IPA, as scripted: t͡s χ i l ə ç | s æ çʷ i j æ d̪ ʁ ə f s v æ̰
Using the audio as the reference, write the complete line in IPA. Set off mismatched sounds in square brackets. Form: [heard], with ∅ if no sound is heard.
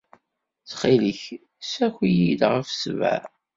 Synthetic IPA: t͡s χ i l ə ç | s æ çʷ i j [i] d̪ ʁ ə f s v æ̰